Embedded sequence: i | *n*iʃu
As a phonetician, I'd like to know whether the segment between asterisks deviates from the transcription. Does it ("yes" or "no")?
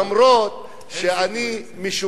yes